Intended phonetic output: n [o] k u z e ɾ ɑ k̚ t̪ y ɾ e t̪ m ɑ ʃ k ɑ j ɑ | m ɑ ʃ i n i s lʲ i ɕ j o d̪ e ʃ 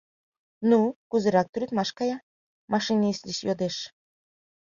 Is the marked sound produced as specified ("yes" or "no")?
no